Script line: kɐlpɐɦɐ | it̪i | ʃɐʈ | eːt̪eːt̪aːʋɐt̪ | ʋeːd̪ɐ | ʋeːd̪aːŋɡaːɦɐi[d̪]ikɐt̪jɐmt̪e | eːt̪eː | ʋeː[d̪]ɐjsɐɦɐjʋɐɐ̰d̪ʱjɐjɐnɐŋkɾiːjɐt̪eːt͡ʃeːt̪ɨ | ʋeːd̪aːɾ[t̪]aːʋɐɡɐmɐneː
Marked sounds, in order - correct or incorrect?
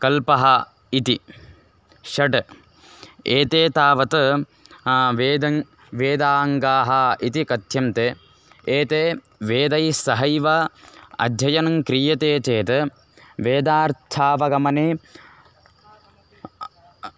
incorrect, correct, incorrect

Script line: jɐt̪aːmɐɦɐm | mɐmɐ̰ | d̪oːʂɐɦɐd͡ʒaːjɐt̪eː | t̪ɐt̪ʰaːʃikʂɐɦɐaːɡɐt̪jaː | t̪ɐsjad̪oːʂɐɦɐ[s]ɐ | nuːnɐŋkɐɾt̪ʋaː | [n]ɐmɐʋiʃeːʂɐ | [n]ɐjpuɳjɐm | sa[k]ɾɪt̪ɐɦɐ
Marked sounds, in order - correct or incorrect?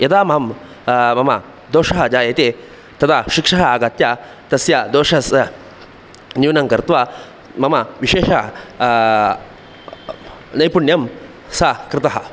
correct, incorrect, correct, correct

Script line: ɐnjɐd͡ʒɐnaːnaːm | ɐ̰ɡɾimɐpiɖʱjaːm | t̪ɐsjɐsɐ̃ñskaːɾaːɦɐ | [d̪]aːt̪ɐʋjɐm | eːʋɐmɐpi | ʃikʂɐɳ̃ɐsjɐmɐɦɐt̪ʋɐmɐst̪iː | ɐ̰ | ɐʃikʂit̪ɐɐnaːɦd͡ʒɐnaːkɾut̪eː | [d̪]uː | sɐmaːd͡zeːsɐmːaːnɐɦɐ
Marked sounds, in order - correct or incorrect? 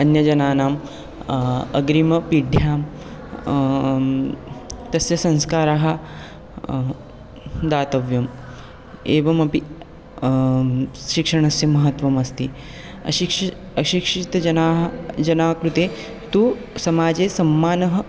correct, incorrect

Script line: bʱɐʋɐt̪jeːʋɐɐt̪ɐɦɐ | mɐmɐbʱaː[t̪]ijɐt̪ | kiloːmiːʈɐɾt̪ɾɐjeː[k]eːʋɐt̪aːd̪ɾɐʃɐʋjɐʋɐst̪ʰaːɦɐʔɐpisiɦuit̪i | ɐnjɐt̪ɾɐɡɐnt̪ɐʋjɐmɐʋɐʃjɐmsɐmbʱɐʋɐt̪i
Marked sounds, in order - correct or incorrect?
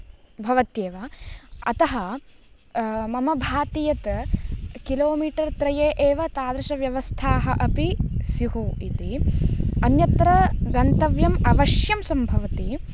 correct, incorrect

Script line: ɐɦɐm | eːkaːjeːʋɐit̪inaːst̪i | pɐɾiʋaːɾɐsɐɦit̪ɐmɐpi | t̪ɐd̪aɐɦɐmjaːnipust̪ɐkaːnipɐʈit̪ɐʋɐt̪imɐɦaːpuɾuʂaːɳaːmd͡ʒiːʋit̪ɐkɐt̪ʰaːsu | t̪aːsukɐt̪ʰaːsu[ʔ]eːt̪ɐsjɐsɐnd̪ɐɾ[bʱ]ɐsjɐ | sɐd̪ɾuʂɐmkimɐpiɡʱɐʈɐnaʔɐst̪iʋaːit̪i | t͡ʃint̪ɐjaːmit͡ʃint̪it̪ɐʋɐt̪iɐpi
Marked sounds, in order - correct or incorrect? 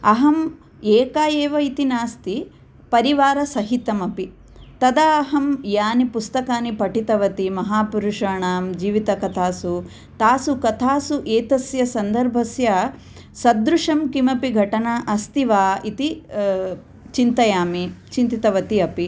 correct, correct

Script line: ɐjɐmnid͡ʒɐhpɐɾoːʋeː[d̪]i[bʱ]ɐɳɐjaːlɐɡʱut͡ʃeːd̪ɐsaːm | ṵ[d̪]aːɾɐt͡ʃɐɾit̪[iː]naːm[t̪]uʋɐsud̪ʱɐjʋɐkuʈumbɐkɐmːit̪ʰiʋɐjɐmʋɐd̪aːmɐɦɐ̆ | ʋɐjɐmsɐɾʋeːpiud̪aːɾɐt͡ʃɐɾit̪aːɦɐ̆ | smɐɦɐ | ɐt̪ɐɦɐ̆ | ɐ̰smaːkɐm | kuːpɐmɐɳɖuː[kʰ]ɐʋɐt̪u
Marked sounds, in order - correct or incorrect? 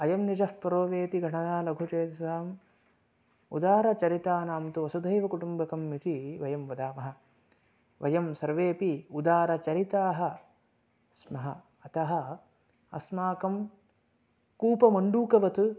incorrect, incorrect, correct, incorrect, correct, incorrect

